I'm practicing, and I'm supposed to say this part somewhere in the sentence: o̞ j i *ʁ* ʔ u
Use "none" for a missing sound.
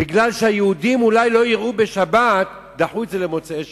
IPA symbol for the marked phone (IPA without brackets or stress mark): ʁ